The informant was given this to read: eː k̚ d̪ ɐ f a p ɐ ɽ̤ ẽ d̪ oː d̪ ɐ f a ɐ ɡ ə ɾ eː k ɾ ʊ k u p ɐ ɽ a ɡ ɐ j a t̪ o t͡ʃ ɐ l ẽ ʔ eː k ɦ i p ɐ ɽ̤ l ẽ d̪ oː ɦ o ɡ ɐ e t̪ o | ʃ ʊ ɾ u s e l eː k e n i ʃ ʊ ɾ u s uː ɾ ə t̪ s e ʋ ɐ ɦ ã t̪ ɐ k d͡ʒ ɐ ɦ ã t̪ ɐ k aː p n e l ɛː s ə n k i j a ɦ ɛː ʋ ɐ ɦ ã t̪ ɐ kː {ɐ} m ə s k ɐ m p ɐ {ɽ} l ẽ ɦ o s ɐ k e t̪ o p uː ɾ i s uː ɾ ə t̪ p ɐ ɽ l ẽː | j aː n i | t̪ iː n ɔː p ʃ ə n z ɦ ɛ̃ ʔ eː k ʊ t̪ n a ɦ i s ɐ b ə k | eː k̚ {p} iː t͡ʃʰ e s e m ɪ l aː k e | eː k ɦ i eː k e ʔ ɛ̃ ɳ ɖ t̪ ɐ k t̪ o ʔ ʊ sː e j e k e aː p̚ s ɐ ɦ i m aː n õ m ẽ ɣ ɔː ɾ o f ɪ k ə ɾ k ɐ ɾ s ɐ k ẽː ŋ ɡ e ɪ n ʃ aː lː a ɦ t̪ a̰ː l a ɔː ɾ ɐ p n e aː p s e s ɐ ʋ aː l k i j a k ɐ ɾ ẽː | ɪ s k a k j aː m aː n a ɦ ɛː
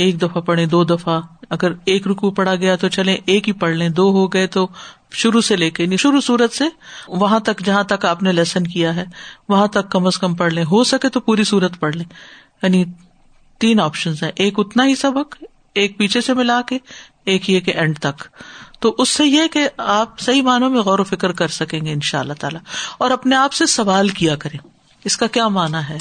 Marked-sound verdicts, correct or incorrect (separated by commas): correct, correct, correct